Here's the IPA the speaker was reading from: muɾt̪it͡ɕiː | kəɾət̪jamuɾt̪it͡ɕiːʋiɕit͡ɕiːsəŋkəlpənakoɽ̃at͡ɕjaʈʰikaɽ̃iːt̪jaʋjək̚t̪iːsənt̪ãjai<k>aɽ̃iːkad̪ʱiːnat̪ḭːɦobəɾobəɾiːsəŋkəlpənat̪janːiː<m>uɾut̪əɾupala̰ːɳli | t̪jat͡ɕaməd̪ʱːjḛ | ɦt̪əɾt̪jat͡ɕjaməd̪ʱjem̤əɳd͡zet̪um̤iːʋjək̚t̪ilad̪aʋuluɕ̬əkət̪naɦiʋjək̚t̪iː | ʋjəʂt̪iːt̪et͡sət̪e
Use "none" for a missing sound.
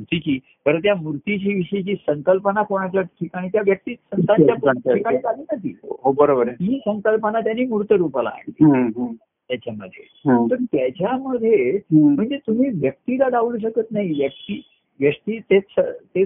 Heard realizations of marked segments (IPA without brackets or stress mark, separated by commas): k, m